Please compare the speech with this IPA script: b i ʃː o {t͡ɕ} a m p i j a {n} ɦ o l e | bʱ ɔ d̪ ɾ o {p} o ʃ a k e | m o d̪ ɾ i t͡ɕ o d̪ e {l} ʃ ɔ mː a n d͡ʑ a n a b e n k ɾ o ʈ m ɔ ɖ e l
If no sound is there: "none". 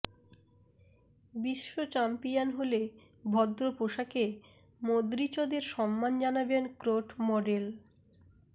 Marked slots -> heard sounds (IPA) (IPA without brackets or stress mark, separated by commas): t͡ɕ, n, p, ɾ